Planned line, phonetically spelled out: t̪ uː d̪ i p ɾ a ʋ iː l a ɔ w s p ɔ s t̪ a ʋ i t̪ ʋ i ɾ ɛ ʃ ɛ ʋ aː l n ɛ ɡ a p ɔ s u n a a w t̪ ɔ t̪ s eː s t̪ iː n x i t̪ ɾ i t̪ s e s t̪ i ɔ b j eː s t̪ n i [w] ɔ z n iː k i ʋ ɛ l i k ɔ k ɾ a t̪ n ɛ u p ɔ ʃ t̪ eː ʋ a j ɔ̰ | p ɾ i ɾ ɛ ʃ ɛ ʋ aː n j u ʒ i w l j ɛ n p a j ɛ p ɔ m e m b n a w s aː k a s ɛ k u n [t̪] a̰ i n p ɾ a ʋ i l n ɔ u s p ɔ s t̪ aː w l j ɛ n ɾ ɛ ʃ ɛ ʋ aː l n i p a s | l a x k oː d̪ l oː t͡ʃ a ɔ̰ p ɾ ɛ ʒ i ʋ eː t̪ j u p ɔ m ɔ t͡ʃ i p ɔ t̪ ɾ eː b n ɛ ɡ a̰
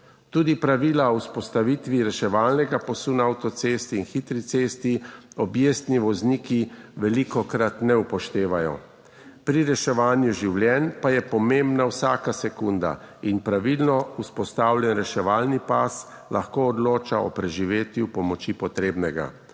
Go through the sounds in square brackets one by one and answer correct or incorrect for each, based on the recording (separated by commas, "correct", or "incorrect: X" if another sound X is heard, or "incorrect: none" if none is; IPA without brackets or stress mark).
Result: incorrect: ʋ, incorrect: d̪